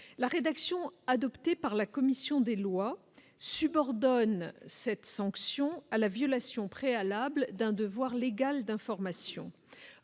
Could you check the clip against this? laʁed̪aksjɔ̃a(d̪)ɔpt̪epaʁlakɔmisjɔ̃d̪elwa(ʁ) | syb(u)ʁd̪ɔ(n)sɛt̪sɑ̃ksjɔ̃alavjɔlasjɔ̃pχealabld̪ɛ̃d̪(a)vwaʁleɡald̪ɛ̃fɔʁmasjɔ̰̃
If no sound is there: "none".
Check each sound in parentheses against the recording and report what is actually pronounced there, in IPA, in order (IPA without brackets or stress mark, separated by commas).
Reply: d̪, none, ɔ, n, ə